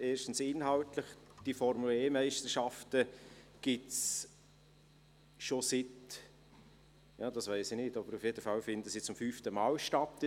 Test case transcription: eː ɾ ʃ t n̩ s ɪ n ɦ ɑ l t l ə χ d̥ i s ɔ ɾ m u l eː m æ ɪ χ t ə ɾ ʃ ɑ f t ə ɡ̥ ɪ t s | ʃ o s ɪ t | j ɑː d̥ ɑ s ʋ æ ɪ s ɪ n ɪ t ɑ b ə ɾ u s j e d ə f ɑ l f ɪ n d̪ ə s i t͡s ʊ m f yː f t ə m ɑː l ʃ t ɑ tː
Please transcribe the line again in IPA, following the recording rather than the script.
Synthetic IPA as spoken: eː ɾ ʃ t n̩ s ɪ n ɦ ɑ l t l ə χ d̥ i f ɔ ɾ m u l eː m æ ɪ ʃ t ə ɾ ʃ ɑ f t ə ɡ̥ ɪ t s | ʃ o s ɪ t | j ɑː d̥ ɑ s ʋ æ ɪ s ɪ n ɪ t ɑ b ə ɾ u f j e d ə f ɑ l f ɪ n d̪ ə s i t͡s ʊ m f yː f t ə m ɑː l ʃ t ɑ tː